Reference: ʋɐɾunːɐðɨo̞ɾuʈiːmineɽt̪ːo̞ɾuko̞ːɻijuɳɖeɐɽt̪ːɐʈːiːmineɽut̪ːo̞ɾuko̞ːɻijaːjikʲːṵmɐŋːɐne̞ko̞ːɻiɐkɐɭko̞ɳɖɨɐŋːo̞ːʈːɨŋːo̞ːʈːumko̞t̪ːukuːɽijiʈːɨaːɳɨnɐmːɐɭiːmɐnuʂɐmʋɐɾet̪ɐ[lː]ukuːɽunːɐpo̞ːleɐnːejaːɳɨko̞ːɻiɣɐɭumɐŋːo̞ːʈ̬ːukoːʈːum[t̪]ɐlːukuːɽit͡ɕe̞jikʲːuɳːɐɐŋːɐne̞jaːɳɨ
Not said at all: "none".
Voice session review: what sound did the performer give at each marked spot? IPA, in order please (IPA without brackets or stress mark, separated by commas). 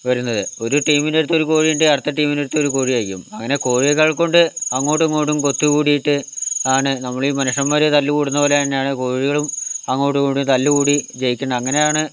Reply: lː, t̪